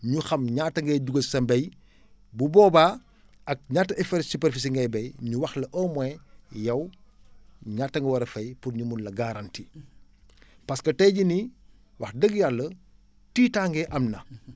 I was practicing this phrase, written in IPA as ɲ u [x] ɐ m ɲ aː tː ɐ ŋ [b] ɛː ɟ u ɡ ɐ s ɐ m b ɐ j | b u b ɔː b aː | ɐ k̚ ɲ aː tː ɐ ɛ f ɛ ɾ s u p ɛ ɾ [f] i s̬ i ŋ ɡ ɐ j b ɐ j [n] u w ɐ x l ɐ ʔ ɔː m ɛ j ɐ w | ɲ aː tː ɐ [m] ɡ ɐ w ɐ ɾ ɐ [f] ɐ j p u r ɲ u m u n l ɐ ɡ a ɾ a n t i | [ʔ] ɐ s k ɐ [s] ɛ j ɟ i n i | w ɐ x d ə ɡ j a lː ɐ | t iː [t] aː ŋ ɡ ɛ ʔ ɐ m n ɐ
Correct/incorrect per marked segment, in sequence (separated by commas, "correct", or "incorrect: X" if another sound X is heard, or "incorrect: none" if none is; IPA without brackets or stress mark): correct, incorrect: ɡ, correct, incorrect: ɲ, incorrect: ŋ, correct, incorrect: p, incorrect: t, correct